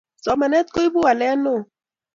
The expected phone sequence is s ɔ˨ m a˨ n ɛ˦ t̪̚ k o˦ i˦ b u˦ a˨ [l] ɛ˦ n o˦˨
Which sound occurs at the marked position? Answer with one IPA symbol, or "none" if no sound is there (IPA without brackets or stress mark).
l